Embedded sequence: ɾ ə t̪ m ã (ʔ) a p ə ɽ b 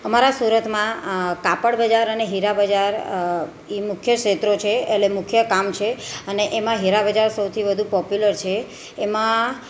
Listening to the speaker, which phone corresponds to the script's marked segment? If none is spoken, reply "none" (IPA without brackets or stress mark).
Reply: k